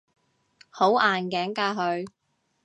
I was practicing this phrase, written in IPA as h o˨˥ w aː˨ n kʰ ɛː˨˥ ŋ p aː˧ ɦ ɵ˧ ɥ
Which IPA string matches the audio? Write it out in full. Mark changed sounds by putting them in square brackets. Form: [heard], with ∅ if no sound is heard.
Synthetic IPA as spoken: h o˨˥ w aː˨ n [k] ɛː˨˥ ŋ [k] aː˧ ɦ ɵ˧ ɥ